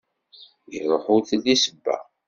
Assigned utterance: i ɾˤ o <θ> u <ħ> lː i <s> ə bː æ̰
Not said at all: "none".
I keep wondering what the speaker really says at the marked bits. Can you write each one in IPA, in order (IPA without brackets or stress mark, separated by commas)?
ħ, θ, s